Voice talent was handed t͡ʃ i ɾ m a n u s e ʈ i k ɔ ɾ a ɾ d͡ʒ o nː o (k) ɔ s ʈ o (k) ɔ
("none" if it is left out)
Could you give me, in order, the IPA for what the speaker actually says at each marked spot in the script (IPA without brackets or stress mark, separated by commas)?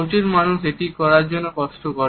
k, k